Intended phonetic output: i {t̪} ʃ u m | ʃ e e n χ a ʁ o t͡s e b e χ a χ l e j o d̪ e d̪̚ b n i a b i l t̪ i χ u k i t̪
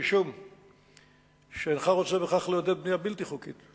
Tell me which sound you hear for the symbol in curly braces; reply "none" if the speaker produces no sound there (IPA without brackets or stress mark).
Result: none